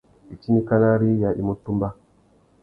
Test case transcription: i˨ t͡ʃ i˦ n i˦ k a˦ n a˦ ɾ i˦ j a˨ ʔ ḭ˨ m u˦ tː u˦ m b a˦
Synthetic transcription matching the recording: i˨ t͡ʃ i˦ n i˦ k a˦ n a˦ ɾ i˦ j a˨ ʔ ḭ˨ m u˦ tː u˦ m b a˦